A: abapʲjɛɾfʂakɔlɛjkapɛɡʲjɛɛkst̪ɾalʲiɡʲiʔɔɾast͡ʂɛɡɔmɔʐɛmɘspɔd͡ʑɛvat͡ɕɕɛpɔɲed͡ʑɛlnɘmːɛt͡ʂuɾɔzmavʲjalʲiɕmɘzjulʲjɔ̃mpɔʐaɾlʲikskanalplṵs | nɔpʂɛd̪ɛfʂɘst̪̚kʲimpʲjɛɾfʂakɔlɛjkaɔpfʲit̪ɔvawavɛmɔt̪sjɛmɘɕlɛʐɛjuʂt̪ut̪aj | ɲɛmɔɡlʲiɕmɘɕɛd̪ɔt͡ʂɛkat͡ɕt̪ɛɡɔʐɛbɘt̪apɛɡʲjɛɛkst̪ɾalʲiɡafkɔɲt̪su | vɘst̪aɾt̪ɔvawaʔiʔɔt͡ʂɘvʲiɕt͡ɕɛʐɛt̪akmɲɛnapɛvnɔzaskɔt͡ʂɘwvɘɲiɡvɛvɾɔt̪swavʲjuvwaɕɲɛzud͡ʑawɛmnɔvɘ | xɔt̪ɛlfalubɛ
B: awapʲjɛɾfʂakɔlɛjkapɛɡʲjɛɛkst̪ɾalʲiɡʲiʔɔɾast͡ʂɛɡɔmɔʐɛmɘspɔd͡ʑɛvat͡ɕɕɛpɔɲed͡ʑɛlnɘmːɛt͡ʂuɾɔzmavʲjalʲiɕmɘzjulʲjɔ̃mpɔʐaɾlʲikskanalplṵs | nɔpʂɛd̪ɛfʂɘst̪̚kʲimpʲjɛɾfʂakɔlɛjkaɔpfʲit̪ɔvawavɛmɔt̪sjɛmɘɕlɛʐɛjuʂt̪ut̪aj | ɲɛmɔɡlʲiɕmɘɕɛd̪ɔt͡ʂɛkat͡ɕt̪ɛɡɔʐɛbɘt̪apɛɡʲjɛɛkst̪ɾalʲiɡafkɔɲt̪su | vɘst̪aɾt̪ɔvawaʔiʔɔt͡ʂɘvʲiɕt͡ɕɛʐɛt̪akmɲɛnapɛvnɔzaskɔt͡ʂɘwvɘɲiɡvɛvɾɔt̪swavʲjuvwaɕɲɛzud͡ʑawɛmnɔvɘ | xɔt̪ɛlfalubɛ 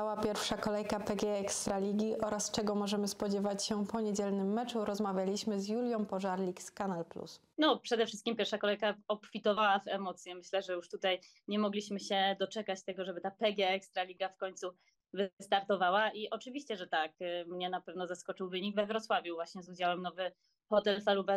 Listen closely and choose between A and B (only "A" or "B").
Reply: B